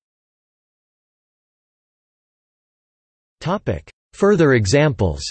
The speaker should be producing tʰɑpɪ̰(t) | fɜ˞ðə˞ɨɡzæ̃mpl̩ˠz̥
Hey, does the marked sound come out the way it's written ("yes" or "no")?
no